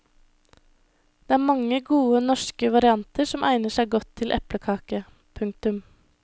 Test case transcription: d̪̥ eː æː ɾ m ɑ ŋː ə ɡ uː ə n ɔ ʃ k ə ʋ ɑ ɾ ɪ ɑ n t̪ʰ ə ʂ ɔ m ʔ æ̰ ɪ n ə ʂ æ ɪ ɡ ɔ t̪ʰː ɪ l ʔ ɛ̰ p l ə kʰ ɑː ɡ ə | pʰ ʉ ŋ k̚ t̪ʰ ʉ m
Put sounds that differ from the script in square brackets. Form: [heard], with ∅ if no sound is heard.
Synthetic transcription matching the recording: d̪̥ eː æː ɾ m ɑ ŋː ə ɡ uː ə n ɔ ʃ k ə ʋ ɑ ɾ ɪ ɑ n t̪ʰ ə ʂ ɔ m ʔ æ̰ ɪ n ə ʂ æ ɪ ɡ ɔ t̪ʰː ɪ l ʔ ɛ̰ p l ə kʰ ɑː [k] ə | pʰ ʉ ŋ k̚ [t̪] ʉ m